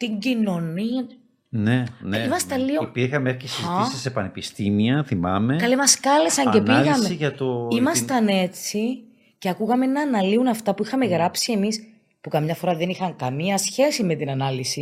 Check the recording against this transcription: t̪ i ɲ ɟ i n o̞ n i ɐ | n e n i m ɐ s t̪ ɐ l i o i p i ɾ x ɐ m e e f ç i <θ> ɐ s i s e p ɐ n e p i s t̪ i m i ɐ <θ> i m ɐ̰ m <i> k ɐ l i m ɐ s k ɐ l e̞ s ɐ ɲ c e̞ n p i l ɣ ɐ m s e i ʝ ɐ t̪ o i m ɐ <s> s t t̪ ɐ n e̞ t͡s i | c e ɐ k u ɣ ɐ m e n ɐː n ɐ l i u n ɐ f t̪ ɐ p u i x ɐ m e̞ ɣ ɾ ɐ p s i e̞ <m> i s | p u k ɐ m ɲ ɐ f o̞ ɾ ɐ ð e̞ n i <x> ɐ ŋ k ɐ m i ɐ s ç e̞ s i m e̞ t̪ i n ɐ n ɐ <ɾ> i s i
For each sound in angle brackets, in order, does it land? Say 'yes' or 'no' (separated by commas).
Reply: no, yes, no, yes, yes, yes, no